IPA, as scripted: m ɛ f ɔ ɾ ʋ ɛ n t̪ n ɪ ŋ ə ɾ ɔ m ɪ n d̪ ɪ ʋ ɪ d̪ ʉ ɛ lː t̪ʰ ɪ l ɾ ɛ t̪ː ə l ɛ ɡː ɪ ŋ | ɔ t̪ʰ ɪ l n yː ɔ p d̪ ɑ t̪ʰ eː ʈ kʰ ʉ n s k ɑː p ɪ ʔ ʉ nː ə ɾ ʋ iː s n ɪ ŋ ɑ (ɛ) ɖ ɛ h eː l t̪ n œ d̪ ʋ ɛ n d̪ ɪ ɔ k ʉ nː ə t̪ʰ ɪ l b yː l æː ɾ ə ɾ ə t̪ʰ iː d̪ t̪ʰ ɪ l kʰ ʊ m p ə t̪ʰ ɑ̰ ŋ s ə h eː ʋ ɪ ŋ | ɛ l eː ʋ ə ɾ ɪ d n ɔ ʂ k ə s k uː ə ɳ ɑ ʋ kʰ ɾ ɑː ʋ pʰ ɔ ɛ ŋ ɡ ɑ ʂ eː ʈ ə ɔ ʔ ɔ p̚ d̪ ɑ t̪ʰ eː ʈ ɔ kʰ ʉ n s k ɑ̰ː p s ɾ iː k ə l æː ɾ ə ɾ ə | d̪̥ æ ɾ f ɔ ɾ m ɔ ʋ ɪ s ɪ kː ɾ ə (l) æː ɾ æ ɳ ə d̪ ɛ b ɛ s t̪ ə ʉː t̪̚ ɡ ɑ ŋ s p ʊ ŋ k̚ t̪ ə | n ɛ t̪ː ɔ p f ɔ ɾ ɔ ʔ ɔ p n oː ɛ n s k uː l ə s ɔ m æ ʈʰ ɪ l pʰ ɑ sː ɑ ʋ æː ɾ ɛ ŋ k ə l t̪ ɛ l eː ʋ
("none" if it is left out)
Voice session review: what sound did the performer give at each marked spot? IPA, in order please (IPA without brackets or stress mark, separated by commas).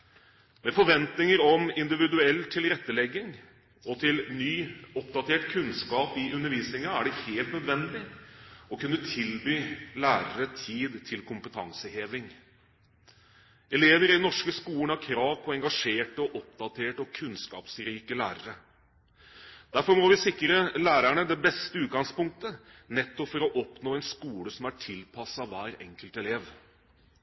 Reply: æ, l